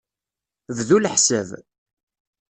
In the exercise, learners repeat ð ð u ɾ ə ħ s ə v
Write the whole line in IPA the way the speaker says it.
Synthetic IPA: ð ð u l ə ħ s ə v